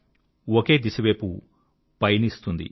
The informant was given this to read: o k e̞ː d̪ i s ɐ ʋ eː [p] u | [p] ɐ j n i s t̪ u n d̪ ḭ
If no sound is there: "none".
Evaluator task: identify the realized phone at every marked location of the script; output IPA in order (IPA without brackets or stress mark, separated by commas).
p, p